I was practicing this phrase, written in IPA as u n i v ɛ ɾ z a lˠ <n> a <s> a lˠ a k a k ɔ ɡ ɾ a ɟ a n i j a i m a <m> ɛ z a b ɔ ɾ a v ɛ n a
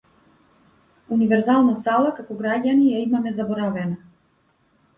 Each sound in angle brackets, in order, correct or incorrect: correct, correct, correct

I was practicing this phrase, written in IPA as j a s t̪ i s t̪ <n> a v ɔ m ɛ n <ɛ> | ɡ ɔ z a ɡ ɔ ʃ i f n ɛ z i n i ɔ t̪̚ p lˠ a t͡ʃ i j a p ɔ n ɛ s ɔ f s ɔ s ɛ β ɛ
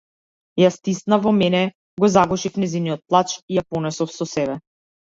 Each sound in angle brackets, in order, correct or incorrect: correct, correct

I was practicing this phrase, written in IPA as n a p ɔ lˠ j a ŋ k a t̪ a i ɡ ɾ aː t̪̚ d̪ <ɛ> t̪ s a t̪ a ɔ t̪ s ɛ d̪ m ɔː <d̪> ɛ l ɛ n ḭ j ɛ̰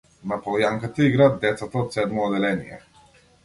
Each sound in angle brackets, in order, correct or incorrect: correct, correct

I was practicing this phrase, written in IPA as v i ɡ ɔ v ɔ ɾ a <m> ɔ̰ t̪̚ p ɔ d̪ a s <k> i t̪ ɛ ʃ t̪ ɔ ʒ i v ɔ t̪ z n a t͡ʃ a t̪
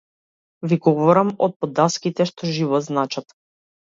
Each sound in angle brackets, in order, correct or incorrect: correct, correct

